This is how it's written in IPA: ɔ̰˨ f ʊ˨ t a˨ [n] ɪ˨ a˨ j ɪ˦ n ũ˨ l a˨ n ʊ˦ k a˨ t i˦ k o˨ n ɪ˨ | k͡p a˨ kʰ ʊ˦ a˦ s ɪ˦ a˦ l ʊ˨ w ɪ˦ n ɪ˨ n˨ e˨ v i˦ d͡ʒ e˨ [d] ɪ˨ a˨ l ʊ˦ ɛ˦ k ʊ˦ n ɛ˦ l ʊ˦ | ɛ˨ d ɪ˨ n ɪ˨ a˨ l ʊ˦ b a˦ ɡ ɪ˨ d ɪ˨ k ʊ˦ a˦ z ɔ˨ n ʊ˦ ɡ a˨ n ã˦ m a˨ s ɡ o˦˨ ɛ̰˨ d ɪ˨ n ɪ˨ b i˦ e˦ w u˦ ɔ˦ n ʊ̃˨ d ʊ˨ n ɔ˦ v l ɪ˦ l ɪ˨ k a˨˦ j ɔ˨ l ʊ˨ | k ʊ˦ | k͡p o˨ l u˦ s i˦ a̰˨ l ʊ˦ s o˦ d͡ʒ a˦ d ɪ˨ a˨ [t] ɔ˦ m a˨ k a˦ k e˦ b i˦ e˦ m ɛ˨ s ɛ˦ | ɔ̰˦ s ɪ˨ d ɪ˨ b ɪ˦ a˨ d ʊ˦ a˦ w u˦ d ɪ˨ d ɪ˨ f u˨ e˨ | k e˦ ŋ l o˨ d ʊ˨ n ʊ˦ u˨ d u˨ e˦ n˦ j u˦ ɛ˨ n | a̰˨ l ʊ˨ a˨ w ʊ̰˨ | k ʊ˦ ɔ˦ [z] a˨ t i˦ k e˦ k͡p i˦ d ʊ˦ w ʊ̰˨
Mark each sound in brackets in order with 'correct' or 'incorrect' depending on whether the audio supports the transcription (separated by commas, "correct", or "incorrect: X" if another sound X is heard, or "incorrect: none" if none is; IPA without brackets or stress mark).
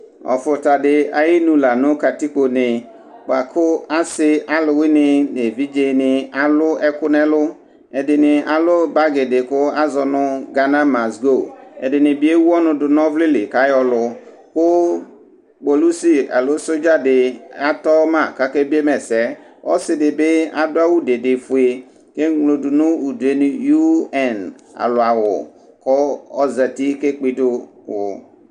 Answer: incorrect: d, incorrect: n, correct, correct